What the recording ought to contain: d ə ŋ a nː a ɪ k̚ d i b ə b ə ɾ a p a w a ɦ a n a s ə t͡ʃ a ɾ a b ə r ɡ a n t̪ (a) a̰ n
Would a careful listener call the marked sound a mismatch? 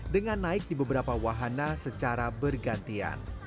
yes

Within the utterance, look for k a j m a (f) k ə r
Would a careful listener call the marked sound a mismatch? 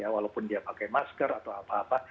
yes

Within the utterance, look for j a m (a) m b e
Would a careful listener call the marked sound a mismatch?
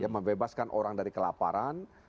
yes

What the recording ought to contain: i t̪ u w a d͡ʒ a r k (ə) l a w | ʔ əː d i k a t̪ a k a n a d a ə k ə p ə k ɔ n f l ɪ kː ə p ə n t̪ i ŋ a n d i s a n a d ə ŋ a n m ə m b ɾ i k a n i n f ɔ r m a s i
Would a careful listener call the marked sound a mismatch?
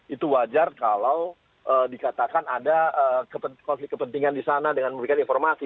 yes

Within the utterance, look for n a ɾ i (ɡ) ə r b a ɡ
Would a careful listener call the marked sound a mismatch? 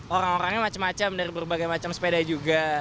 yes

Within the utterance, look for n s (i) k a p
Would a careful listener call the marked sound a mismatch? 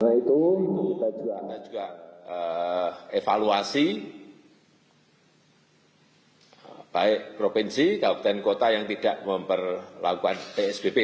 no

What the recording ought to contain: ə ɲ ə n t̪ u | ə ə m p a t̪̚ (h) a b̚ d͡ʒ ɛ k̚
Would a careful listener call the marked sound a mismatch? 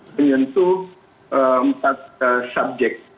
yes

